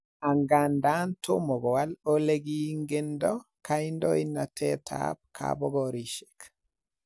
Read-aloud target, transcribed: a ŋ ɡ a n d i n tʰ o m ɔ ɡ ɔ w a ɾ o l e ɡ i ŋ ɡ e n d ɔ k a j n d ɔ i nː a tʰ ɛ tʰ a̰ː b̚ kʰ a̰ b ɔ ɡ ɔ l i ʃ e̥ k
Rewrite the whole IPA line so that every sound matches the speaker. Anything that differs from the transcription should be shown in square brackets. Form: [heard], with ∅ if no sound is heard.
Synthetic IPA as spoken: a ŋ ɡ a n d [a] n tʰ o m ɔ ɡ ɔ w a [l] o l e ɡ i ŋ ɡ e n d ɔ k a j n d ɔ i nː a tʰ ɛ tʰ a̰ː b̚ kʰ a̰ b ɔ ɡ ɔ [ɾ] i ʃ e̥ k